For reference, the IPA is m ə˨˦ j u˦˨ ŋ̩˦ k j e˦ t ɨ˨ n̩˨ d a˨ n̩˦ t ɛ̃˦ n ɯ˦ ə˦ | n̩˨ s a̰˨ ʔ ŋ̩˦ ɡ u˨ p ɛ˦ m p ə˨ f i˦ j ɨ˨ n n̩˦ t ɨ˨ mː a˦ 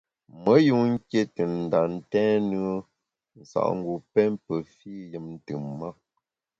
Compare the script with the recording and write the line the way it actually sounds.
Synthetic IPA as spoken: m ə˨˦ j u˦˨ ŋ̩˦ k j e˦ t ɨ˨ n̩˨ d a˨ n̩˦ t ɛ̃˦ n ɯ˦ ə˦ | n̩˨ s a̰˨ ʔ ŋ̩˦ ɡ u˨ p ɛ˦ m p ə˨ f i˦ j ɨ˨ m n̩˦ t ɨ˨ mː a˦